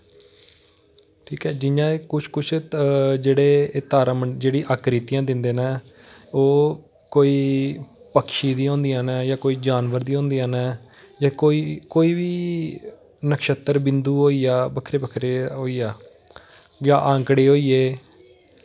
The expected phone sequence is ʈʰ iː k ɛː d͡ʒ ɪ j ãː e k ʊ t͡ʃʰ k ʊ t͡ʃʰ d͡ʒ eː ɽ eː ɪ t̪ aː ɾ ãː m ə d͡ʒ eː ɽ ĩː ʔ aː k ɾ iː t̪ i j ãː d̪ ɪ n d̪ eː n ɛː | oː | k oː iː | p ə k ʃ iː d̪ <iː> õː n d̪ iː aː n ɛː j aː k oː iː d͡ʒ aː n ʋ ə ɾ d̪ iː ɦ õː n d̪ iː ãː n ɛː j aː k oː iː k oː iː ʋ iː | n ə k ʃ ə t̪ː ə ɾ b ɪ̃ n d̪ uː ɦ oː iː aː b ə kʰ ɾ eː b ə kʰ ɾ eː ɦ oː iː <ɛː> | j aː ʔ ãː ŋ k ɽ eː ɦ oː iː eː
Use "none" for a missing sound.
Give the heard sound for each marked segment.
iː, aː

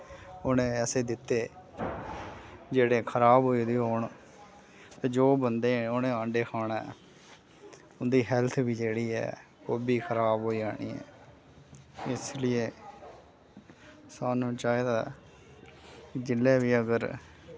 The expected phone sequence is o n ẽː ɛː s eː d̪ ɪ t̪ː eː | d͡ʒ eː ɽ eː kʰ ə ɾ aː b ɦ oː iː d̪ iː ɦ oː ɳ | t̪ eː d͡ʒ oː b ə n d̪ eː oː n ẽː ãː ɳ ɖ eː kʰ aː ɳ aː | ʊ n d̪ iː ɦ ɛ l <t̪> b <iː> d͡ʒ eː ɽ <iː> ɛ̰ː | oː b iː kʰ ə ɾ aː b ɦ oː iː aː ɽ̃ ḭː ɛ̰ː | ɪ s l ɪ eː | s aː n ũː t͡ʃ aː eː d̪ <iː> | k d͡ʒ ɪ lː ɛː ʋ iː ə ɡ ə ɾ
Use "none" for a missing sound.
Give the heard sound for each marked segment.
t̪ʰ, iː, iː, aː

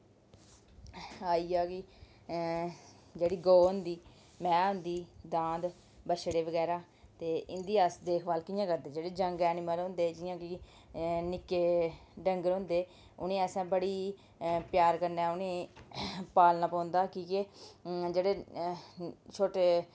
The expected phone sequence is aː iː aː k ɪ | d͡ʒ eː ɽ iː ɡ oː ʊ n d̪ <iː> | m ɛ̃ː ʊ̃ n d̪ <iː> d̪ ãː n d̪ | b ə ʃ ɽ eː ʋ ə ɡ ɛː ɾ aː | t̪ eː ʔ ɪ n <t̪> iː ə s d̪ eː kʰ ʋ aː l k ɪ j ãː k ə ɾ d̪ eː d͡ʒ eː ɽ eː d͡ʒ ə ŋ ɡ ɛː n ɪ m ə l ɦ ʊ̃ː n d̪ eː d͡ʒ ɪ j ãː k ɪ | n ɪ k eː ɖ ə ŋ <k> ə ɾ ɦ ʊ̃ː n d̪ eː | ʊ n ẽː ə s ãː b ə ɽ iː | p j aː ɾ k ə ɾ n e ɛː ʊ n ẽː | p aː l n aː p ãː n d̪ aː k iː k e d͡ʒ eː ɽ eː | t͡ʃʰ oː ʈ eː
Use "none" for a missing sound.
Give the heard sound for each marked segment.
iː, iː, d̪, ɡ

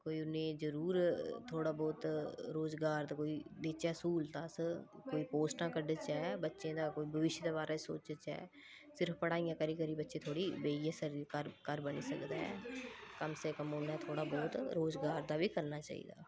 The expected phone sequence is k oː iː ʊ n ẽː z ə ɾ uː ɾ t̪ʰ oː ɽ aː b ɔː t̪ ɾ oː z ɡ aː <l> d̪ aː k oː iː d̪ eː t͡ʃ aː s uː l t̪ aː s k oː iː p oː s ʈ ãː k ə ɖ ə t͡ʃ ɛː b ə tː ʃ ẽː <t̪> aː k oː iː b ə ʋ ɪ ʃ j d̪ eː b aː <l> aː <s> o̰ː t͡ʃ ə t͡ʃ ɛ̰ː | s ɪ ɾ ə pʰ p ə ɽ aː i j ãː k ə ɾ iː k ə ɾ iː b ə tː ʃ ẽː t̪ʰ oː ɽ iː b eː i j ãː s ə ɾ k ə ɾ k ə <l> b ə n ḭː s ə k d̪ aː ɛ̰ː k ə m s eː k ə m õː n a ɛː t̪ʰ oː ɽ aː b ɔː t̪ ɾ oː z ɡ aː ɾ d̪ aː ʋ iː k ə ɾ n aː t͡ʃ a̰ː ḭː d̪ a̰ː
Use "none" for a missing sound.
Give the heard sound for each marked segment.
ɾ, d̪, ɾ, s, ɾ

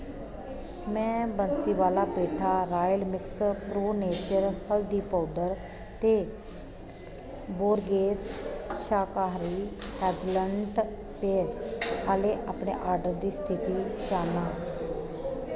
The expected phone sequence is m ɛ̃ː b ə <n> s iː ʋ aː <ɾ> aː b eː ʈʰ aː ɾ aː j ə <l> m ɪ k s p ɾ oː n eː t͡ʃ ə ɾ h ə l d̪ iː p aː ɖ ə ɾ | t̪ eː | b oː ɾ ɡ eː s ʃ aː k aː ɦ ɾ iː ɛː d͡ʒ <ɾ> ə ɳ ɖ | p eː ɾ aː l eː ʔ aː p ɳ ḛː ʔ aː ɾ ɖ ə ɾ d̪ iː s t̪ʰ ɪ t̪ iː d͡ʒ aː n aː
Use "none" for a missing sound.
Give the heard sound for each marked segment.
n, l, l, l

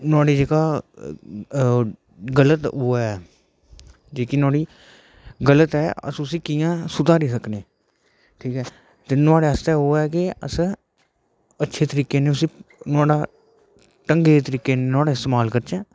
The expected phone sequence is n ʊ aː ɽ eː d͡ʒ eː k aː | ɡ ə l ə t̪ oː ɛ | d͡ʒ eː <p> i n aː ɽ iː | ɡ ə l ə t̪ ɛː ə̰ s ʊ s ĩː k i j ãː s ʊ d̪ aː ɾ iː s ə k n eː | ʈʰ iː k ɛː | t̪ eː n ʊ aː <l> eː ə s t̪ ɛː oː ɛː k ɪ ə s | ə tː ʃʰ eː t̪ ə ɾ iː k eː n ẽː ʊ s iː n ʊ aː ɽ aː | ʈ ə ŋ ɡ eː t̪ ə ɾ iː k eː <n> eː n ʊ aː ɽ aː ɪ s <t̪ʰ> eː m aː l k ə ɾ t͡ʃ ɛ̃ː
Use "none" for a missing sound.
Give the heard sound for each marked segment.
k, ɽ, n, t̪

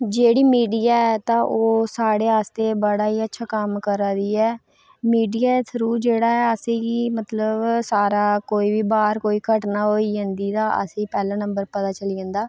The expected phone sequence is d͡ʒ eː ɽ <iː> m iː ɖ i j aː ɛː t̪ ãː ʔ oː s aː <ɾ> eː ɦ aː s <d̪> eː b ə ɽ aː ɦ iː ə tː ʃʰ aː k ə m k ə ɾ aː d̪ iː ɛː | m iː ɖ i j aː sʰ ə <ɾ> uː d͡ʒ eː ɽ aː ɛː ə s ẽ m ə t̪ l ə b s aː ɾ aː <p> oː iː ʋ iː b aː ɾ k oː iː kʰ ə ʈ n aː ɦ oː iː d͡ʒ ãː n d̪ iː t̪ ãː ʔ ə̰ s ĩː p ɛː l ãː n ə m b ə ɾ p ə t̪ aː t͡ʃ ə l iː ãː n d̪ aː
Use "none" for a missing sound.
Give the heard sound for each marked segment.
iː, ɽ, t̪, ɾ, k

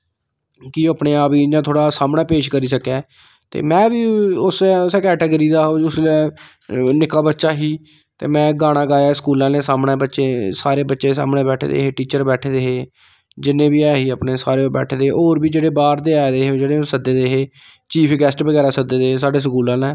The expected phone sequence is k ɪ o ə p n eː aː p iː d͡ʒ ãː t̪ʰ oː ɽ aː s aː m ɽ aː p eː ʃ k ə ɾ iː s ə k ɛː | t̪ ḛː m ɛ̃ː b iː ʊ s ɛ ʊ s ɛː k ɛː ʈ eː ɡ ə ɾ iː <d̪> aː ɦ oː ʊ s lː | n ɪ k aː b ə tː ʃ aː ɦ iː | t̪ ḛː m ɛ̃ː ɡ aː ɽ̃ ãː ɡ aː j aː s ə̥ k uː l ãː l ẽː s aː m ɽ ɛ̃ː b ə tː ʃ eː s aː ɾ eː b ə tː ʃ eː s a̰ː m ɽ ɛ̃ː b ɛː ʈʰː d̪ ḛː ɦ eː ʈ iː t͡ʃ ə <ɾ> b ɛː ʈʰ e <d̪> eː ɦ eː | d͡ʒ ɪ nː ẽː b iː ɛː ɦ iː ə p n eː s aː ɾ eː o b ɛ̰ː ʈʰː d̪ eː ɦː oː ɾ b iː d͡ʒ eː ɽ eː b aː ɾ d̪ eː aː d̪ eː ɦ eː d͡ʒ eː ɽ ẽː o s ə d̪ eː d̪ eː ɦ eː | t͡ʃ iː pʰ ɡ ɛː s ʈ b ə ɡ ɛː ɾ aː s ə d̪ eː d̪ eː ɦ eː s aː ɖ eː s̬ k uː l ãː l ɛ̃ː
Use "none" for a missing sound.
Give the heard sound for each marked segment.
d̪, ɾ, d̪

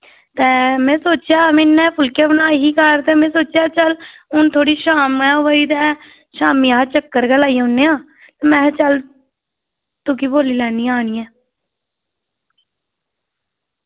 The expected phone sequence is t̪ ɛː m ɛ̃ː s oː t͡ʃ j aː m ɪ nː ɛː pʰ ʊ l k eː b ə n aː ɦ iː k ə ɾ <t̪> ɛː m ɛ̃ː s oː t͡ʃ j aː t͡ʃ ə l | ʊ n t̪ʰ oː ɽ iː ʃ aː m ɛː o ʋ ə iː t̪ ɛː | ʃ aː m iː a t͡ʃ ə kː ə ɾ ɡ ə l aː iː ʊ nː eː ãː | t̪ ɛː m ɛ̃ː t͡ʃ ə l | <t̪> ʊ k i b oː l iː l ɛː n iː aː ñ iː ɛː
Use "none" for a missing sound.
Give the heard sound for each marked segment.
t̪, t̪

